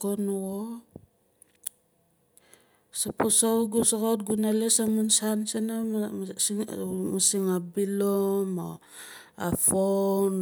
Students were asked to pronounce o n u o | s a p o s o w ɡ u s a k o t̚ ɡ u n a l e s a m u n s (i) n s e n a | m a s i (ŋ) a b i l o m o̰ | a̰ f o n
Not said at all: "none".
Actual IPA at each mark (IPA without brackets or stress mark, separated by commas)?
a, ŋ